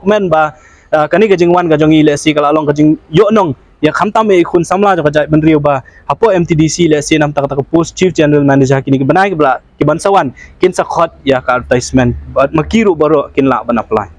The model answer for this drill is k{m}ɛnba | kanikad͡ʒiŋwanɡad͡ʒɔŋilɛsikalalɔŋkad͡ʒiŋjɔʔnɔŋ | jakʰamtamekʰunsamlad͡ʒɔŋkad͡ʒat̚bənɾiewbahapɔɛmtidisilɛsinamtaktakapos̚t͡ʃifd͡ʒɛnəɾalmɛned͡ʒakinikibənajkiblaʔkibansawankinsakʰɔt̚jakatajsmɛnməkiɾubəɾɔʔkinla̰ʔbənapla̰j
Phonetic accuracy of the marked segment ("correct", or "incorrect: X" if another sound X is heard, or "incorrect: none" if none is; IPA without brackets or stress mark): correct